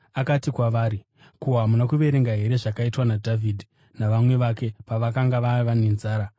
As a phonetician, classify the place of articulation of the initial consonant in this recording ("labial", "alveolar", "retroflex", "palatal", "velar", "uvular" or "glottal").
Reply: velar